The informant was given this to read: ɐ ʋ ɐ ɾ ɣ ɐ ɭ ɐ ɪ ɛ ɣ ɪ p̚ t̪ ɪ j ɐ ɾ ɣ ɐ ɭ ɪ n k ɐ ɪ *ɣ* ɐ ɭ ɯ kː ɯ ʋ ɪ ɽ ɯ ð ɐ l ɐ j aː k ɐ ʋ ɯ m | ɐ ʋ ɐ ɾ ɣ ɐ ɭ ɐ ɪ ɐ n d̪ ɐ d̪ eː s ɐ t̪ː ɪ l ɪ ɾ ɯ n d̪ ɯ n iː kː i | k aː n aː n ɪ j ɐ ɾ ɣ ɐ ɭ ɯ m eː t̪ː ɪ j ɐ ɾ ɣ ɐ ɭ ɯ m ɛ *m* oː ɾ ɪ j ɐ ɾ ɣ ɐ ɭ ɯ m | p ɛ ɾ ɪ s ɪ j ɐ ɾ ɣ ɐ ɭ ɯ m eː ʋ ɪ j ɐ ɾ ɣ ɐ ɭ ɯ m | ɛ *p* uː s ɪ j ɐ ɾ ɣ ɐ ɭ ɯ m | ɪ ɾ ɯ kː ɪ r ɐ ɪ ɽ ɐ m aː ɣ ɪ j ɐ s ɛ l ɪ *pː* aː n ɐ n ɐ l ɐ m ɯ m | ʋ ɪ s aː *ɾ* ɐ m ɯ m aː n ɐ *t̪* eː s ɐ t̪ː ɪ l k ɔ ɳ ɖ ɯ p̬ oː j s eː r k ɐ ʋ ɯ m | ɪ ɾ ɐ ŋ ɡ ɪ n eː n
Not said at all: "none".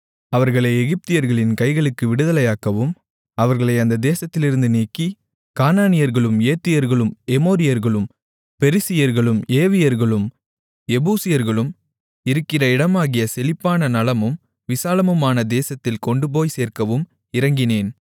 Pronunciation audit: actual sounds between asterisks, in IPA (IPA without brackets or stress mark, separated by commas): ɣ, m, b, pː, l, d̪